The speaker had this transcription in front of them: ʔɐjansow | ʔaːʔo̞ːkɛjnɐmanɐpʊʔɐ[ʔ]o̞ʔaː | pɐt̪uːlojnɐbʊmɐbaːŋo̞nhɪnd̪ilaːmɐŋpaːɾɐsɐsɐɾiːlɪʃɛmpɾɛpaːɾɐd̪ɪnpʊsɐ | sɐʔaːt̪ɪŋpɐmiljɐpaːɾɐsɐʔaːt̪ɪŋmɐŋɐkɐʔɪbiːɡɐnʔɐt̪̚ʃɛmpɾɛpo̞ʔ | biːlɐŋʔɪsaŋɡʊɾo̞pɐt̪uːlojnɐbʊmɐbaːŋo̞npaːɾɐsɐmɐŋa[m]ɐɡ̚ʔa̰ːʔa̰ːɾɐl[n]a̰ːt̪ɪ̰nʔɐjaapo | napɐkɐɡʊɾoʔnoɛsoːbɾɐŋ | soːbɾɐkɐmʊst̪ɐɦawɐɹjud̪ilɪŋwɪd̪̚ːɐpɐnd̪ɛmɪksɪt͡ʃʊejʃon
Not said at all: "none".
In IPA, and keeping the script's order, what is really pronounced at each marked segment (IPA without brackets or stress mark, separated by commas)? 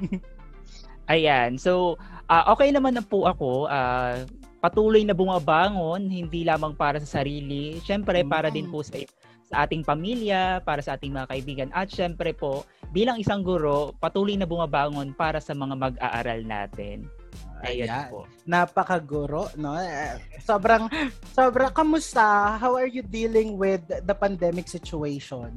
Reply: k, m, n